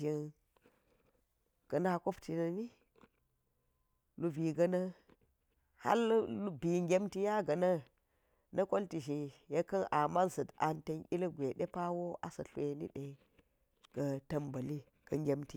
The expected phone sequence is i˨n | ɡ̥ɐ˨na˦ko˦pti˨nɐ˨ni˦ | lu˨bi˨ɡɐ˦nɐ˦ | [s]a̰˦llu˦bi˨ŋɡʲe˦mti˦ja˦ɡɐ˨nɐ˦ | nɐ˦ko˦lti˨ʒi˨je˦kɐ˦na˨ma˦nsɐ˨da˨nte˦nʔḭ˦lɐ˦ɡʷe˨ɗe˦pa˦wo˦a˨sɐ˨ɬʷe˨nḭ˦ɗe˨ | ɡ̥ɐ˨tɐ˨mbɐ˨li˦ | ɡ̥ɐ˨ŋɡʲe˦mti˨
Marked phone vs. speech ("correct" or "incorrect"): incorrect